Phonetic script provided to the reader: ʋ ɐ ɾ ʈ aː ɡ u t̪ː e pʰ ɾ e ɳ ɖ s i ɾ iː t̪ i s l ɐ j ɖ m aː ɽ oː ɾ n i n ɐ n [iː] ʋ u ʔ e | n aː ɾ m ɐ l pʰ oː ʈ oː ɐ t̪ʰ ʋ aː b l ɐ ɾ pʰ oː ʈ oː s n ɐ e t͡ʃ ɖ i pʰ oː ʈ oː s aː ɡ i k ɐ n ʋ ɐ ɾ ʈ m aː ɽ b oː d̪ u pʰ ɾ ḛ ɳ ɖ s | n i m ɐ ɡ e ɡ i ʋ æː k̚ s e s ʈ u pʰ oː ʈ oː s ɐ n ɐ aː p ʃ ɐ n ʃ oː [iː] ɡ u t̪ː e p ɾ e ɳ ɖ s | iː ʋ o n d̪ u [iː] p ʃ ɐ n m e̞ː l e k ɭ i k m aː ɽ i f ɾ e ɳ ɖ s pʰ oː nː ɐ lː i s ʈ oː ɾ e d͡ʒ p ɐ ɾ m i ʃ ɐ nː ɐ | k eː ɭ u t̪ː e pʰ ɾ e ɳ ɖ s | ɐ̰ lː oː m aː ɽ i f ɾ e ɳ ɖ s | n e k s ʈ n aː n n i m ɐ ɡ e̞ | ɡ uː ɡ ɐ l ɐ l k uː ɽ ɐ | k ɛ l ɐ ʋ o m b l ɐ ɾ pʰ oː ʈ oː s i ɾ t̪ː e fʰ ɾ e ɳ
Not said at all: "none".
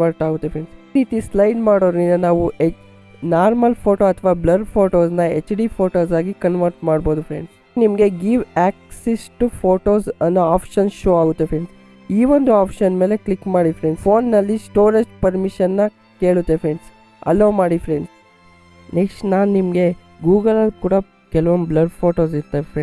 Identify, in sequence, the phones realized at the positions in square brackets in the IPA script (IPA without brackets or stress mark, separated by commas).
aː, aː, aː